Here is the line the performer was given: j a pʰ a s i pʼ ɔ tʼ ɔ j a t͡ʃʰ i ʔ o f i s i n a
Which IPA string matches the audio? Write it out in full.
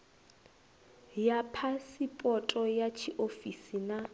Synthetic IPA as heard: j a pʰ a s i pʼ ɔ tʼ ɔ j a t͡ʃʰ i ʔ o f i s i n a